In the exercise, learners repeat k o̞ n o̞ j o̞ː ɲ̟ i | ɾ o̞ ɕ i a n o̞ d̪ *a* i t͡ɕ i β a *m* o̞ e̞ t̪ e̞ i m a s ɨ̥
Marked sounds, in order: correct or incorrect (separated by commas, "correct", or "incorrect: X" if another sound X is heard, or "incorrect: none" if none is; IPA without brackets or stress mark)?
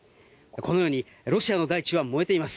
correct, correct